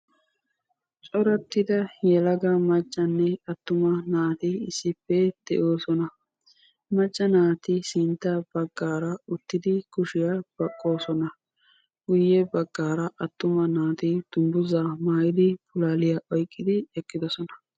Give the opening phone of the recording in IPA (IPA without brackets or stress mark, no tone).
t͡ʃʼ